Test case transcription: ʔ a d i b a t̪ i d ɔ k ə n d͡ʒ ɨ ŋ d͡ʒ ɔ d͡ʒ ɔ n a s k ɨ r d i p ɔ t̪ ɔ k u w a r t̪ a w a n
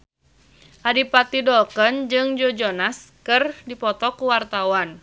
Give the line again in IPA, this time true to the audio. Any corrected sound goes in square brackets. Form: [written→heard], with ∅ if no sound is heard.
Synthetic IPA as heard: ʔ a d i [b→p] a t̪ i d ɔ k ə n d͡ʒ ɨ ŋ d͡ʒ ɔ d͡ʒ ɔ n a s k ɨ r d i p ɔ t̪ ɔ k u w a r t̪ a w a n